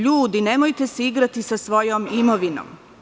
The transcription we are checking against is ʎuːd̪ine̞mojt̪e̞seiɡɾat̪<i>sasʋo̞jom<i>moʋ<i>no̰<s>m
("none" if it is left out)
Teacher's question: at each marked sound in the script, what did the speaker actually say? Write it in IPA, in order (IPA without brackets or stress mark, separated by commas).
i, i, i, none